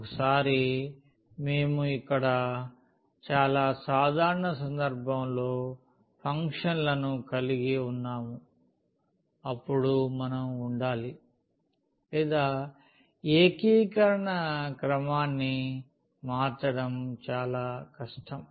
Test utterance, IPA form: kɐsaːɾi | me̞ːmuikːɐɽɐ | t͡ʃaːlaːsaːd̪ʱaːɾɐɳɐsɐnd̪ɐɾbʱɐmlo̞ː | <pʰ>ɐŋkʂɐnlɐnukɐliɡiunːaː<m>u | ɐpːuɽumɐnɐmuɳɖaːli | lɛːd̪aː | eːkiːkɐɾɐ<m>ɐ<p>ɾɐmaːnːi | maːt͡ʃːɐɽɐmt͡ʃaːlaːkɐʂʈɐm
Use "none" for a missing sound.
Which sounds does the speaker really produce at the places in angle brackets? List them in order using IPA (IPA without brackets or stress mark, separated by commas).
pʰ, m, ɳ, k